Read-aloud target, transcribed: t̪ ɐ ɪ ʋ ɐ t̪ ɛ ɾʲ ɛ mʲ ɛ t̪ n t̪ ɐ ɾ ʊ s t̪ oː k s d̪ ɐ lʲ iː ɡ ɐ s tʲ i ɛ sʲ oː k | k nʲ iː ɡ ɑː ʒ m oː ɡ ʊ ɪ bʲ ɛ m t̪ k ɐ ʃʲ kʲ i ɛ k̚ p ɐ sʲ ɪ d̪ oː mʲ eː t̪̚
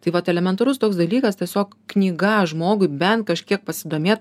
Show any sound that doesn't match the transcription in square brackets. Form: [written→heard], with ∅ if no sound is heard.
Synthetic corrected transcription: t̪ ɐ ɪ ʋ ɐ t̪ ɛ [ɾʲ→lʲ] ɛ mʲ ɛ [t̪→∅] n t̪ ɐ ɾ ʊ s t̪ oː k s d̪ ɐ lʲ iː [ɡ→k] ɐ s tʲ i ɛ sʲ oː k | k nʲ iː ɡ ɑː ʒ m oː ɡ ʊ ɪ bʲ ɛ [m→n] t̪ k ɐ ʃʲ kʲ i ɛ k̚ p ɐ sʲ ɪ d̪ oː mʲ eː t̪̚